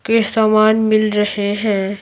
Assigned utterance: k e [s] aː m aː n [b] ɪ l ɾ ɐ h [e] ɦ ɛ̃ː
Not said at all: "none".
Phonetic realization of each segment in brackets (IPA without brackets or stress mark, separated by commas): s, m, e